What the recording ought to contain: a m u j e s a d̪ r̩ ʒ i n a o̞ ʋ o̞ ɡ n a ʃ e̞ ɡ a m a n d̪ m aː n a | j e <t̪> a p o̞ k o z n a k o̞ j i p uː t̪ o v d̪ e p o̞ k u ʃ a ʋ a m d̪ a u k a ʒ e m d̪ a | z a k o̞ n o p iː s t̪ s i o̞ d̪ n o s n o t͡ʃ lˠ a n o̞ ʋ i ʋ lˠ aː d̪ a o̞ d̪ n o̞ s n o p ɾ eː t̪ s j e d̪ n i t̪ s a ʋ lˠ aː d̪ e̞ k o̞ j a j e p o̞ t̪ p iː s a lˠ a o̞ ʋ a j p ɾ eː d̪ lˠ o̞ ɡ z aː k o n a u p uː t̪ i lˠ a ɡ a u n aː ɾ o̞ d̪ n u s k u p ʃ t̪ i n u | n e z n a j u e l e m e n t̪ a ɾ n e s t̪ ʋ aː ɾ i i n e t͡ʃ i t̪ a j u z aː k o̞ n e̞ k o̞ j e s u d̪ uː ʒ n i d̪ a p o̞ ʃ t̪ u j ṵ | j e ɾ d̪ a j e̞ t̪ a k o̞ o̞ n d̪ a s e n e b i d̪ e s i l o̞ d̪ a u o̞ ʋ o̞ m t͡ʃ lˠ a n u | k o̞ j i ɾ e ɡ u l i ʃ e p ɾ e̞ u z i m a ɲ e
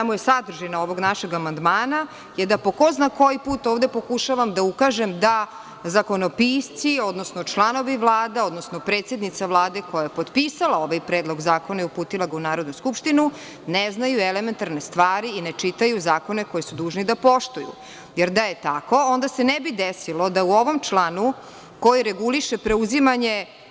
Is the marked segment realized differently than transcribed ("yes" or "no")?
yes